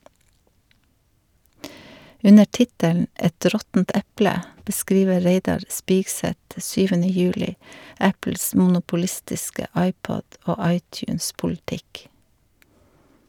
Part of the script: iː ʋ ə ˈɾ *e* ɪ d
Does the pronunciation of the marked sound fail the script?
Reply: no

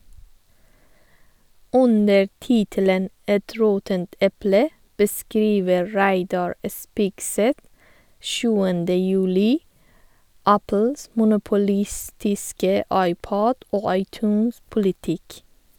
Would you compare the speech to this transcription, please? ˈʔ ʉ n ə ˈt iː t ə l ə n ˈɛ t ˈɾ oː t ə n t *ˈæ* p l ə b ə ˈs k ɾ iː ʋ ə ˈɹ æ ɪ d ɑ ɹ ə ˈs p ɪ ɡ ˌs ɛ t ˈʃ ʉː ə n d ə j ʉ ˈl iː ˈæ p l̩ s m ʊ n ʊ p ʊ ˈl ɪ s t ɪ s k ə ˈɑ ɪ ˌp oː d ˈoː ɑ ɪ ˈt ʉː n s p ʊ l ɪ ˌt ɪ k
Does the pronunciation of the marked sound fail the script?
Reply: yes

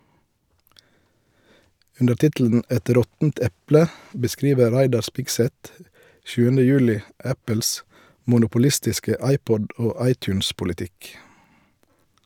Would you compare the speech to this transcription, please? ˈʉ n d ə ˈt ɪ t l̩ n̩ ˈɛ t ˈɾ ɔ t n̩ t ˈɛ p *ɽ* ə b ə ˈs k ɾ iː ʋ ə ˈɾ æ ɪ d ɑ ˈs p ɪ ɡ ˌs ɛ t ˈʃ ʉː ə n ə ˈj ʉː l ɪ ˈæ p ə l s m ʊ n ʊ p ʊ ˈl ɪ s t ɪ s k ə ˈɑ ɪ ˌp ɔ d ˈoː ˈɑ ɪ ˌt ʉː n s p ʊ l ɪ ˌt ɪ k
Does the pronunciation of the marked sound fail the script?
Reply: yes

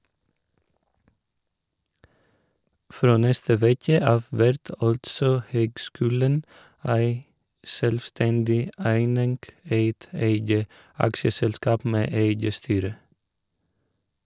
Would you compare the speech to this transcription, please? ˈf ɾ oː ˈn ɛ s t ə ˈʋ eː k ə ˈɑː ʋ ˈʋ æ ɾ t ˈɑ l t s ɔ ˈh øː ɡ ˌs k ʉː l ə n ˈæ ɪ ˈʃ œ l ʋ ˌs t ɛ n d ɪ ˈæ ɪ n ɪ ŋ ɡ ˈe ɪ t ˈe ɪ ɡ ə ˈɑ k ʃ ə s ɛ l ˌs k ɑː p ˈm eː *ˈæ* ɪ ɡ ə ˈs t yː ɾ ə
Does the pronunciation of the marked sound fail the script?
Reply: yes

